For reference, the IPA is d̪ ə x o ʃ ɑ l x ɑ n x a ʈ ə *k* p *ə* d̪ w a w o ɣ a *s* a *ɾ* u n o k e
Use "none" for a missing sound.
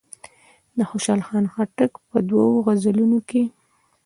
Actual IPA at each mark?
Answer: k, ə, z, l

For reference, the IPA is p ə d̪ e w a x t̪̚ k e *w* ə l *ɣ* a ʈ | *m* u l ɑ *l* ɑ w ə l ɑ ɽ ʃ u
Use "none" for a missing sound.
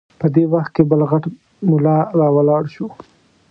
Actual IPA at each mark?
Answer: b, ɣ, m, ɾ

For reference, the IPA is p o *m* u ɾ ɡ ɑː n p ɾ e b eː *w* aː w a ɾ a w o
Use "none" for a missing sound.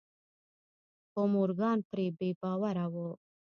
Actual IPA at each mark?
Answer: m, b

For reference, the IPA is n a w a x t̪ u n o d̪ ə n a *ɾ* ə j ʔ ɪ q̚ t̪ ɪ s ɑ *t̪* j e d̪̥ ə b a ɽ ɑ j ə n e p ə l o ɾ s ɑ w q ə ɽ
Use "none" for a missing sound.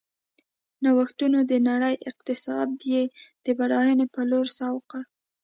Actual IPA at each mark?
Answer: ɽ, d̪

